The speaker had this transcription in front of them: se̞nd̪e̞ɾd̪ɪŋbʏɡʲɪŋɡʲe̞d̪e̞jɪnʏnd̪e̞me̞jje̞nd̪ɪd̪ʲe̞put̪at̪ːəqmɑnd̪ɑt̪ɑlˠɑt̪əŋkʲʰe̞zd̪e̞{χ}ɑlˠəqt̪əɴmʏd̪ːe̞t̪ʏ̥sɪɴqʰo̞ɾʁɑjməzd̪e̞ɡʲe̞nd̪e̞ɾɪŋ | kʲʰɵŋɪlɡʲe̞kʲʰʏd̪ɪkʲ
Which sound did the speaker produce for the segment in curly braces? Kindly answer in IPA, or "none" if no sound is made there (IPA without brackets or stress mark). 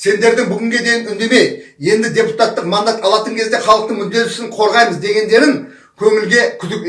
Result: χ